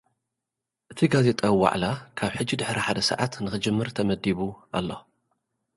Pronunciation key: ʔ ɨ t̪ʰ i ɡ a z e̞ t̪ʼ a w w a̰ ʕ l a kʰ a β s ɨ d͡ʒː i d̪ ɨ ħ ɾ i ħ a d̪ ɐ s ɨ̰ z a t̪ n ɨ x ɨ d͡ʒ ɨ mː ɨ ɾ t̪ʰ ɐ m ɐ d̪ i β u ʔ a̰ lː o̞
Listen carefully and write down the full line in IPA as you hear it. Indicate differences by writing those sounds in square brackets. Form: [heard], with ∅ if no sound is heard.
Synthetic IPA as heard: ʔ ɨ t̪ʰ i ɡ a z e̞ t̪ʼ a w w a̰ ʕ l a kʰ a β [ħ] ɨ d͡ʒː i d̪ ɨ ħ ɾ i ħ a d̪ ɐ s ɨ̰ [ʕ] a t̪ n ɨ x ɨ d͡ʒ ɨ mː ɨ ɾ t̪ʰ ɐ m ɐ d̪ i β u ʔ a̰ lː o̞